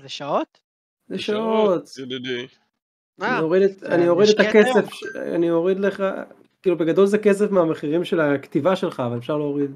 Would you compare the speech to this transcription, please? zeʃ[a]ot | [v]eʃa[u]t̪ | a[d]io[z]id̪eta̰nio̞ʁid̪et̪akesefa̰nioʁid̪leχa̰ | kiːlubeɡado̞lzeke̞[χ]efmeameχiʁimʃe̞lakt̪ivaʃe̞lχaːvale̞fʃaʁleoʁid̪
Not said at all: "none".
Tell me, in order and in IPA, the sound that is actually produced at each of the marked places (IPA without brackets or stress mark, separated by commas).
a, z, o, n, ʁ, s